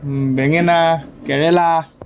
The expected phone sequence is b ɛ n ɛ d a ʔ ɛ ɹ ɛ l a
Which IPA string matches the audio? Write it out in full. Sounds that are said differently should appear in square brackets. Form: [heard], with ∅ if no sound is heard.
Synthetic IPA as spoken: b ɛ [ŋ] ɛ [n] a [k] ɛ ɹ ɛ l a